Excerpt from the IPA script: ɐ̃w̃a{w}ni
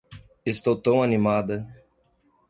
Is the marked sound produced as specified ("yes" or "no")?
no